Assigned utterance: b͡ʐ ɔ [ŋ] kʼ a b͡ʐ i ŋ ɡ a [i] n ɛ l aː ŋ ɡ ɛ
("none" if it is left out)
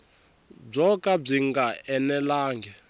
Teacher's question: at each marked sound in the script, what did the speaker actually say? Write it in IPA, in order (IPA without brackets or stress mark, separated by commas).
none, ɛ